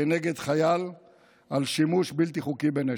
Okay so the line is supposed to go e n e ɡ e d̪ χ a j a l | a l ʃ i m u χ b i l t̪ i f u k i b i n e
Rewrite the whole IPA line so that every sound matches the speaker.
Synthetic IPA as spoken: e n e ɡ e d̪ χ a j a l | a l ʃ i m u ʃ b i l t̪ i χ u k i b e n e

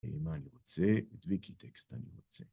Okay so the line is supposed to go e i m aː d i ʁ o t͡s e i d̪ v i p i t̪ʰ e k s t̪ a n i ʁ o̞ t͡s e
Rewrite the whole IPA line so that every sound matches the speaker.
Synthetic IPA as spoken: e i m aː n i ʁ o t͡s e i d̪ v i k i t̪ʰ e k s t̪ a n i ʁ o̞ t͡s e

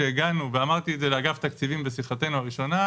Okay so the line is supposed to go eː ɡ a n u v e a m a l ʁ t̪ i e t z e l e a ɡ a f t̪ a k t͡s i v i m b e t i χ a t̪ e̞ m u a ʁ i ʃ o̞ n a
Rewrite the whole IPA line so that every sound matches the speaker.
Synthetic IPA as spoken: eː ɡ a n u v e a m a ʁ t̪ i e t z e l e a ɡ a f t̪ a k t͡s i v i m b e s i χ a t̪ e̞ n u a ʁ i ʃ o̞ n a

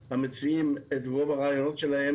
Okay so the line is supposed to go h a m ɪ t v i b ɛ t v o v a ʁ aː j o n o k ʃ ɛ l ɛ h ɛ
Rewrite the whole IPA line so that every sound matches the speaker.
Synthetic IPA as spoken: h a m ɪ t͡s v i m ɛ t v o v a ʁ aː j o n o t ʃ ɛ l a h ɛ

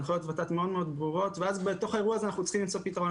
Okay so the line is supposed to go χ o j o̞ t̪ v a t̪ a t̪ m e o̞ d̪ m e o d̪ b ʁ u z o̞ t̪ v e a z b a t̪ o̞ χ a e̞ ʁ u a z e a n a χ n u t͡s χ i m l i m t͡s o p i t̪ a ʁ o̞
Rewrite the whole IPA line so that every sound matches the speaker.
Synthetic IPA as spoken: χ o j o̞ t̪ v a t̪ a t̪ m e o̞ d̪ m e o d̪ b ʁ u ʁ o̞ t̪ v e a z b e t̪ o̞ χ a e̞ ʁ u a z e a n a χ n u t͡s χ i m l i m t͡s o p i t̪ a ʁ o̞

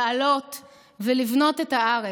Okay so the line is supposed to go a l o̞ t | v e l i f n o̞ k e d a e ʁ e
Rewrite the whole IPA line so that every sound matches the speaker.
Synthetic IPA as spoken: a l o̞ t | v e l i v n o̞ t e t a a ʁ e

